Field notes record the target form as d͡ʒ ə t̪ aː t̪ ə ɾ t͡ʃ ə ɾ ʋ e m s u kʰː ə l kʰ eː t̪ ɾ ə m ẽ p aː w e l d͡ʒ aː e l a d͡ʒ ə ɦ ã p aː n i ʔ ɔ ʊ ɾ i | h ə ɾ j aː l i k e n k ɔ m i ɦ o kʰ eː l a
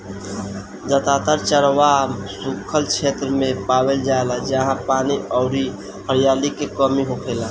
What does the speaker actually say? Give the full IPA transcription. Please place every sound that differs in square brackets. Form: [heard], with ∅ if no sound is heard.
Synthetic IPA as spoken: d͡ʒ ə t̪ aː t̪ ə ɾ t͡ʃ ə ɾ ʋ [a] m s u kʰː ə l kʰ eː t̪ ɾ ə m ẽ p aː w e l d͡ʒ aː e l a d͡ʒ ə ɦ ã p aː n i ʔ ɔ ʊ ɾ i | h ə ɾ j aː l i k e [∅] k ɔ m i ɦ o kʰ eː l a